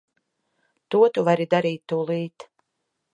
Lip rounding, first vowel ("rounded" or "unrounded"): rounded